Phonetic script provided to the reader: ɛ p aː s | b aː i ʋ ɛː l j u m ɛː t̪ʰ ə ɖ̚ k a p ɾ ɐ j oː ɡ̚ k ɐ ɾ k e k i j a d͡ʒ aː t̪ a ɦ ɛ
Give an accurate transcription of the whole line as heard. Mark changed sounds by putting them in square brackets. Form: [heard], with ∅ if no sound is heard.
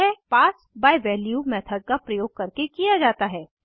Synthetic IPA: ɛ p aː s | b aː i ʋ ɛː l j u m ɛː t̪ʰ ə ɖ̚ k a p ɾ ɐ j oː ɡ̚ k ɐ ɾ k e k i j a d͡ʒ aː t̪ a ɦ [ɛː]